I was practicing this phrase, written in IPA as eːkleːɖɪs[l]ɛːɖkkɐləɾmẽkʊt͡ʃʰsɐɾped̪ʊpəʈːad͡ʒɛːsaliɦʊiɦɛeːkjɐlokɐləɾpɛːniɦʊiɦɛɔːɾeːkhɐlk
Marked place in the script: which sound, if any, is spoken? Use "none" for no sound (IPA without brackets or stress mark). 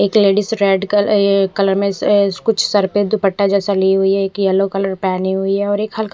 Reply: ɾ